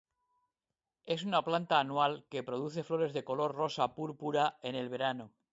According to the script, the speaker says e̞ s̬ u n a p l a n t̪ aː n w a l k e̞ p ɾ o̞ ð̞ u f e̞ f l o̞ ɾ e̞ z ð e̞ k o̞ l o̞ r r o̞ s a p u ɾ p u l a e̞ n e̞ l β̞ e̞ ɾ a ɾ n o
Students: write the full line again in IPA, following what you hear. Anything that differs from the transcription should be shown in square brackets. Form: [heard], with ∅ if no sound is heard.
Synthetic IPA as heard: e̞ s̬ u n a p l a n t̪ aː n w a l k e̞ p ɾ o̞ ð̞ u [θ] e̞ f l o̞ ɾ e̞ z ð e̞ k o̞ l o̞ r r o̞ s a p u ɾ p u [ɾ] a e̞ n e̞ l β̞ e̞ ɾ a [∅] n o